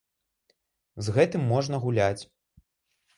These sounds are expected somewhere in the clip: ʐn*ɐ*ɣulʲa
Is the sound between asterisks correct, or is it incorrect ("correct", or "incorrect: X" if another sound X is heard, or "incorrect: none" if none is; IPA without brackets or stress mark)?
correct